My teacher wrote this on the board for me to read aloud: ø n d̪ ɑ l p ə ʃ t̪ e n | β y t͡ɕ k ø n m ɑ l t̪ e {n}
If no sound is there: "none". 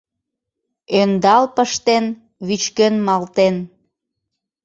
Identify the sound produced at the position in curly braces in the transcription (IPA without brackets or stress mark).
n